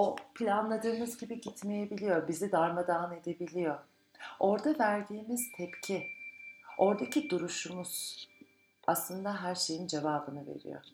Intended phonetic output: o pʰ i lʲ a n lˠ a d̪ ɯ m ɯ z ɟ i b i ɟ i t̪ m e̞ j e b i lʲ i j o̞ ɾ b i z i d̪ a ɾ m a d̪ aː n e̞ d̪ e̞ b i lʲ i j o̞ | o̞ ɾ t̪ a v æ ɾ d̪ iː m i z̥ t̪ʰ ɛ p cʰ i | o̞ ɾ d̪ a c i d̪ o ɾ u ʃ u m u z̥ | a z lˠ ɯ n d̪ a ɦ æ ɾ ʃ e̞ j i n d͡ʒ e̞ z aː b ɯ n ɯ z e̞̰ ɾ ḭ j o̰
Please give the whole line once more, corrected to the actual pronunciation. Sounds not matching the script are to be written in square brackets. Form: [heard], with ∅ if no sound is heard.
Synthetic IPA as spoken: o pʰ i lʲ a n lˠ a d̪ [ɯː] m ɯ z ɟ i b i ɟ i t̪ m e̞ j e b i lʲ i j o̞ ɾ b i z i d̪ a ɾ m a d̪ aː n e̞ d̪ e̞ b i lʲ i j o̞ | o̞ ɾ [d̪] a v æ ɾ d̪ iː m i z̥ t̪ʰ ɛ p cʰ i | o̞ ɾ d̪ a c i d̪ [u] ɾ u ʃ u m u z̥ | a [s] lˠ ɯ n d̪ a ɦ æ ɾ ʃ e̞ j i n d͡ʒ e̞ [v] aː b ɯ n ɯ [v] e̞̰ ɾ ḭ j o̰